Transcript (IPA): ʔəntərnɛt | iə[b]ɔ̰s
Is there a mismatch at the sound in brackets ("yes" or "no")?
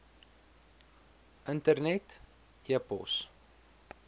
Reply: yes